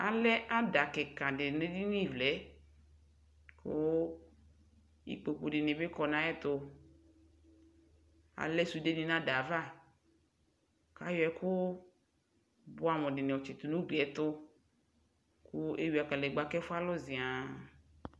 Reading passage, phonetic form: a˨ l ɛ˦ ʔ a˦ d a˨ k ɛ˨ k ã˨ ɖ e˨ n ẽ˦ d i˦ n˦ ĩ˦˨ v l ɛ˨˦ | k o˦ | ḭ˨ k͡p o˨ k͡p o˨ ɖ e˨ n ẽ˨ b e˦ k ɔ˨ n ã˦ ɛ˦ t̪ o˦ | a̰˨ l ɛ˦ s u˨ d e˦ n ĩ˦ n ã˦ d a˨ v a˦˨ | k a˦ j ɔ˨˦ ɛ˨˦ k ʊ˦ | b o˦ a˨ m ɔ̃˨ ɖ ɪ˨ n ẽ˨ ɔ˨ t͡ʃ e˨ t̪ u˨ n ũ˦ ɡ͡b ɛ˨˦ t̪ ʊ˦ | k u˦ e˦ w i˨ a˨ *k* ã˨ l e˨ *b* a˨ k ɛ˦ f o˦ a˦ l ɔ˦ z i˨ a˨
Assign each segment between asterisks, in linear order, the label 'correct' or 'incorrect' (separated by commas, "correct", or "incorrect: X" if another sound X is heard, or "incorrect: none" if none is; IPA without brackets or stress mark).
correct, incorrect: ɡ͡b